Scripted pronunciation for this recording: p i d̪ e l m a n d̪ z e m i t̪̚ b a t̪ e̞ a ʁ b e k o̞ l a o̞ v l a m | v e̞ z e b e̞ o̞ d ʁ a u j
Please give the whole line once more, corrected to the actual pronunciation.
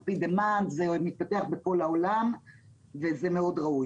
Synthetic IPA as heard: p i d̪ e m a n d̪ z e m i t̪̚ p a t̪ e̞ a χ b e k o̞ l a o̞ l a m | v e̞ z e m e̞ o̞ d ʁ a u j

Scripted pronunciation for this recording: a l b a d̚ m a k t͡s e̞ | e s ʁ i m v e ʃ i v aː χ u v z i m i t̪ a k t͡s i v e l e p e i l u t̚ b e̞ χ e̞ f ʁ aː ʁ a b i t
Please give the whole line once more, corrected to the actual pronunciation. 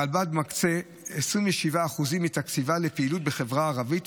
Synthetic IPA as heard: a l b a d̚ m a k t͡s e̞ | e s ʁ i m v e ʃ i v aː χ u z i m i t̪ a k t͡s i v a l e p e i l u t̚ b e̞ χ e̞ v ʁ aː ʁ a v i t

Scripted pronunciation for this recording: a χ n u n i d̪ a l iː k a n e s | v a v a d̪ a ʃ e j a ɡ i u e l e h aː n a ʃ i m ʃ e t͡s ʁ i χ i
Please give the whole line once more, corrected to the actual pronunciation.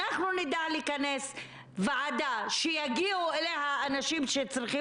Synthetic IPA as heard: a χ n u n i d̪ a l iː k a n e s | v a ʕ a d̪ a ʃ e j a ɡ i u e l e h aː n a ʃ i m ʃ e t͡s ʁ i χ i

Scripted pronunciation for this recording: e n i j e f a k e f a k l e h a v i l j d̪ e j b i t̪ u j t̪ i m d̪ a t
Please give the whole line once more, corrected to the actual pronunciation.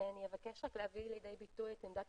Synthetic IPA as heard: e n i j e v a k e ʃ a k l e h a v i l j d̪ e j b i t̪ u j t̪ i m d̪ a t

